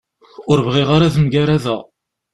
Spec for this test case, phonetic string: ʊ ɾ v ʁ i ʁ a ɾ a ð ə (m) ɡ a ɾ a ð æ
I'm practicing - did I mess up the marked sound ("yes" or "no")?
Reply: no